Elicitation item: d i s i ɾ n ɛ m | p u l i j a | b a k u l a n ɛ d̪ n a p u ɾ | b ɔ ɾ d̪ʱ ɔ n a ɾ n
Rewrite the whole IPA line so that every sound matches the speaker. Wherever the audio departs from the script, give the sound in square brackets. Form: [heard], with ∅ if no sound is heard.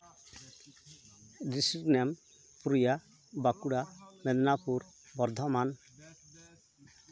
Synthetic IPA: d i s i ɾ n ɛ m | p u [ɾ] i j a | b a k u [ɽ] a [m] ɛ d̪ n a p u ɾ | b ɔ ɾ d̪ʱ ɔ [m] a [∅] n